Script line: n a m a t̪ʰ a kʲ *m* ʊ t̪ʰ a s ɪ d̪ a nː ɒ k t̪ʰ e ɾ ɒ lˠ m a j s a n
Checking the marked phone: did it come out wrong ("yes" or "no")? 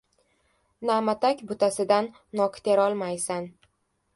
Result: yes